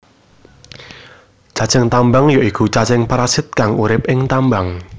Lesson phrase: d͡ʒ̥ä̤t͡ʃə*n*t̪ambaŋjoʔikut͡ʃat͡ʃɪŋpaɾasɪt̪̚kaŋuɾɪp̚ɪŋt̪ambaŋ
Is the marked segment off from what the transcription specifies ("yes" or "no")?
yes